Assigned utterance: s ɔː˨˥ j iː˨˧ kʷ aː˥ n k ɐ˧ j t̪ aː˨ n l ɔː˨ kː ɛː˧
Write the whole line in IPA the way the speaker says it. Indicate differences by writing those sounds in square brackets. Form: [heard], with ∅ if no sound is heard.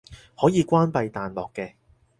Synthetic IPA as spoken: [h] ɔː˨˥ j iː˨˧ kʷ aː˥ n [p] ɐ˧ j t̪ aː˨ n l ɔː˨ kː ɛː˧